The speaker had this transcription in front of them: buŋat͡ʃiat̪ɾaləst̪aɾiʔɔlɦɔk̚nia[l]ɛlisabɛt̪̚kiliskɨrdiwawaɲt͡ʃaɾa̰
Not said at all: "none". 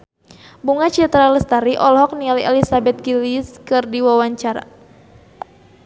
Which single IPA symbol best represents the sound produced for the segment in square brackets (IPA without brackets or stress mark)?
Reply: l